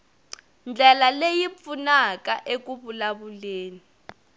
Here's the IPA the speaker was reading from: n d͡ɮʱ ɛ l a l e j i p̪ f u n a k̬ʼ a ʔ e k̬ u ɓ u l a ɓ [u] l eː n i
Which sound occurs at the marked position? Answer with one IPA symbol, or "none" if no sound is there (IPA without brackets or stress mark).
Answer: u